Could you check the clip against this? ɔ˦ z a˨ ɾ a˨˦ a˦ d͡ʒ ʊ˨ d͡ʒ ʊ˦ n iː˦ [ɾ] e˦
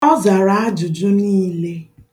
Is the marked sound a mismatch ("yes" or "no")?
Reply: yes